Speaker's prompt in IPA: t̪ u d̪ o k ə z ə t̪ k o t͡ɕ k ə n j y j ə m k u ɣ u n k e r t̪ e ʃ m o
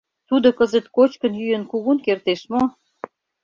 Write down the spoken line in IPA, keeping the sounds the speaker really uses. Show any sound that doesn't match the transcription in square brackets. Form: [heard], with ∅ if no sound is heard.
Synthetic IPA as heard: t̪ u d̪ o k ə z ə t̪ k o t͡ɕ k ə n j y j ə [n] k u ɣ u n k e r t̪ e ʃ m o